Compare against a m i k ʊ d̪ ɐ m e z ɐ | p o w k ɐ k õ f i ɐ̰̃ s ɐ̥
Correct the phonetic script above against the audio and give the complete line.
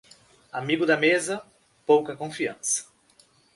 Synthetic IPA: a m i ɡ ʊ d̪ ɐ m e z ɐ | p o w k ɐ k õ f i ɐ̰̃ s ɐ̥